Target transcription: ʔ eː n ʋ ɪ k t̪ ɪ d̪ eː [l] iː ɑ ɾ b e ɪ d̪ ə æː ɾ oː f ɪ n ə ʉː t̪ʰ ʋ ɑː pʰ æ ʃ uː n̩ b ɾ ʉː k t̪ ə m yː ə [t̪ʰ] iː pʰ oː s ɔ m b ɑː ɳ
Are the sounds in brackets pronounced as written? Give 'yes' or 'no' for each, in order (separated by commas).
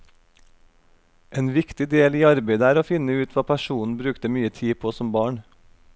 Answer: yes, yes